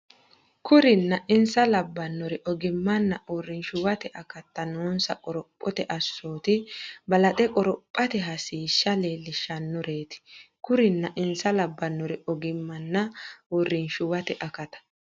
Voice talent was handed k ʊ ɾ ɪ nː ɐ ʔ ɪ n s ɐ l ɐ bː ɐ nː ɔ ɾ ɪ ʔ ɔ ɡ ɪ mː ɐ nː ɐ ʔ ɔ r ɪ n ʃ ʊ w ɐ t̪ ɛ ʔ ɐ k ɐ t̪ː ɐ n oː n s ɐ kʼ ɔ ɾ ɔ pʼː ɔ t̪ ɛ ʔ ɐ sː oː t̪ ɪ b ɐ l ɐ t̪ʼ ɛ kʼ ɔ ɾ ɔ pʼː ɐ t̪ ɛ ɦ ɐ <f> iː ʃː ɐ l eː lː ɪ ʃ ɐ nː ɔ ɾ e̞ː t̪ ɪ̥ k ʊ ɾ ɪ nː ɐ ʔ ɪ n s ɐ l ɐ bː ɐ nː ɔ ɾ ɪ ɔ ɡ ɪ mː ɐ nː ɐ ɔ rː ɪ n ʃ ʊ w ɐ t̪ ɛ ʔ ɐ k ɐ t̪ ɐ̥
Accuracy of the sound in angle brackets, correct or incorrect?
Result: incorrect: s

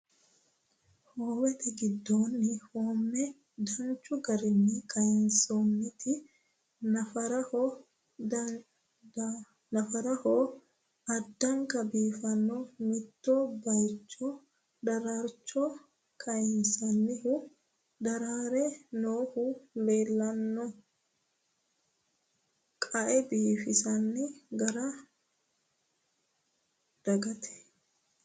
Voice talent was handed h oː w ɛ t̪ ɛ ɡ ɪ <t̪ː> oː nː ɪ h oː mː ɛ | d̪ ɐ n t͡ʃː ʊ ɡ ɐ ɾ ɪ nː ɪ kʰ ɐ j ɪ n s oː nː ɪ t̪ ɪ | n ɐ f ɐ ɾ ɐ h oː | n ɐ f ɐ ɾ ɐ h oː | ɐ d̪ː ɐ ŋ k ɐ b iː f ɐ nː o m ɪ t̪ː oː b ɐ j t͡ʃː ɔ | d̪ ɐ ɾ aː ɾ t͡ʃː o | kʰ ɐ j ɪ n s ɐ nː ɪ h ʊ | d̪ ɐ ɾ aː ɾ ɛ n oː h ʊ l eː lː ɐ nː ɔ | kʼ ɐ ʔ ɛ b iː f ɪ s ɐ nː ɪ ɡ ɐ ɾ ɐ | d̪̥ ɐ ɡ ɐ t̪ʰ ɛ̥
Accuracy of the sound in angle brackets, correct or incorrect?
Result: incorrect: d̪ː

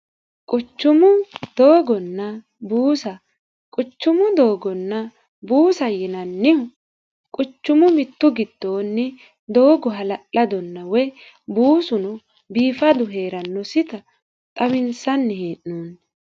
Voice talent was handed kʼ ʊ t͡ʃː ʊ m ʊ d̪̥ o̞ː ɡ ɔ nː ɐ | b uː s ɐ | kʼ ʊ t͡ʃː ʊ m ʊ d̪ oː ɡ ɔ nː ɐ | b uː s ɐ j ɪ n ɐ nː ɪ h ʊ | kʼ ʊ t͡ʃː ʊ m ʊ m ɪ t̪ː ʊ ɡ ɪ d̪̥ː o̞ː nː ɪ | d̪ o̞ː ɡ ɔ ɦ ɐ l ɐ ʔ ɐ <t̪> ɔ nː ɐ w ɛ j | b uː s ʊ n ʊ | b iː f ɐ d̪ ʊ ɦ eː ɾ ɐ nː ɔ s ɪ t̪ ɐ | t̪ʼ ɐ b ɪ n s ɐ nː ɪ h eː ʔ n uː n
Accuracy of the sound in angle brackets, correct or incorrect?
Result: incorrect: d̪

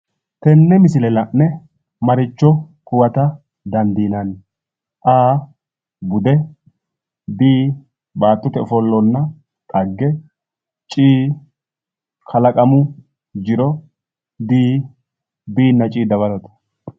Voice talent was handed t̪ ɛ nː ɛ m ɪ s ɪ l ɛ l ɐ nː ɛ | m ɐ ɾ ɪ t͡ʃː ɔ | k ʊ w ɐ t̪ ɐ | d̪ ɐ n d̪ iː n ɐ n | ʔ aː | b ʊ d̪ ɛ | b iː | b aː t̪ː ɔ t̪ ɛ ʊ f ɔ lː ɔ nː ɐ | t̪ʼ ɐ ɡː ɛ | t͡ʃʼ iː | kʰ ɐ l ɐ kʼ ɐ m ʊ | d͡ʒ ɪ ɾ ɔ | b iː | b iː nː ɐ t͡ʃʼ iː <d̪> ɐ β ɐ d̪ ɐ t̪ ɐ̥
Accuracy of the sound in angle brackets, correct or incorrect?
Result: correct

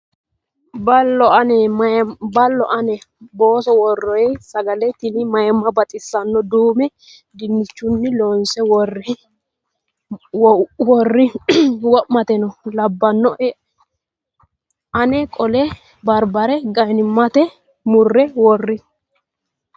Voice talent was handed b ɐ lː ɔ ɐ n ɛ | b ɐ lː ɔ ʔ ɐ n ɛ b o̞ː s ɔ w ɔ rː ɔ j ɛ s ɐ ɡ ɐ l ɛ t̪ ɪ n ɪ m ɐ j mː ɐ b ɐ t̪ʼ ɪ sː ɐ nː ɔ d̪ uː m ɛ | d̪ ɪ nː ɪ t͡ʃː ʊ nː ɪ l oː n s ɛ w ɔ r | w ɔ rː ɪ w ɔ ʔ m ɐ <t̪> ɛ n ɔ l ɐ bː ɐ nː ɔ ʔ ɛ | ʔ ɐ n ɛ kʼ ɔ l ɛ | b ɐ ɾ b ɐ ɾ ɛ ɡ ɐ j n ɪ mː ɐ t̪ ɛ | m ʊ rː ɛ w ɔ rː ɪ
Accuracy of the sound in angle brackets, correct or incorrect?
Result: correct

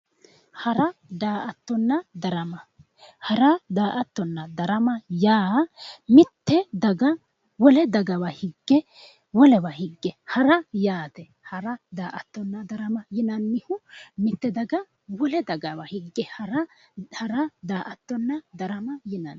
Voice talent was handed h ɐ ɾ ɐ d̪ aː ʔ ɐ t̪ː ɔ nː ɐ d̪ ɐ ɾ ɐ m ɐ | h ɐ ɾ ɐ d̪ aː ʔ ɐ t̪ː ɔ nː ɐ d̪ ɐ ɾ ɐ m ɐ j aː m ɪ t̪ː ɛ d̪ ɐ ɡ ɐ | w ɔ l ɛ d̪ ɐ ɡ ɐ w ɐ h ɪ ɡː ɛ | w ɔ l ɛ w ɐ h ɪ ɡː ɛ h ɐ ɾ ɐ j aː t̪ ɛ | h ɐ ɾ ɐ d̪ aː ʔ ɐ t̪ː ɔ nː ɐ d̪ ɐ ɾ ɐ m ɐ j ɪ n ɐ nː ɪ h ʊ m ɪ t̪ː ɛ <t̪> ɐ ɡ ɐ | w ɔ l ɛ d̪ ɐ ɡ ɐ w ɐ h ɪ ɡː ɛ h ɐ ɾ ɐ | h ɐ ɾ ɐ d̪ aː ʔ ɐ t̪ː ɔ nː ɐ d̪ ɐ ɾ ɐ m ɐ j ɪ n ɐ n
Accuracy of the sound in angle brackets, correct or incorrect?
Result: incorrect: d̪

